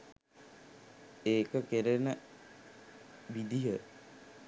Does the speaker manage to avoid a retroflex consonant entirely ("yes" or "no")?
yes